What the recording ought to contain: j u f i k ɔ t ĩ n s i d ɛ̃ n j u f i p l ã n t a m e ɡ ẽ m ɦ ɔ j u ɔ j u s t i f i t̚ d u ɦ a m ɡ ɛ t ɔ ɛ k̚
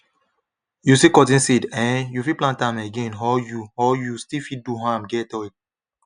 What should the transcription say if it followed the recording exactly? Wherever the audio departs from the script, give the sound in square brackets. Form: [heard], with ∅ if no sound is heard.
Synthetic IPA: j u [s] i k ɔ t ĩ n s i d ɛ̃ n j u f i p l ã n t a m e ɡ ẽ [n] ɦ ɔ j u ɔ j u s t i f i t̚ d u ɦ a m ɡ ɛ t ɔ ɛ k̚